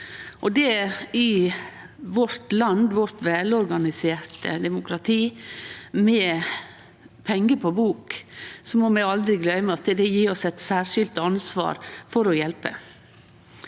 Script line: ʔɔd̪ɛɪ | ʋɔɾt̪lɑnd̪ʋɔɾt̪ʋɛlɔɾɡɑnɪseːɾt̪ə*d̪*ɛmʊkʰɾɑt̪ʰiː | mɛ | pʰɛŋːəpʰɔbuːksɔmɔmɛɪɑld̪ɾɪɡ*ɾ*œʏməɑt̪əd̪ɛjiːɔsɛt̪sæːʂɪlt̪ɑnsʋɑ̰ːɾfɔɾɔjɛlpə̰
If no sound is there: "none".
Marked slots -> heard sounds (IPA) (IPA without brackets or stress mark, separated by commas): d̪, l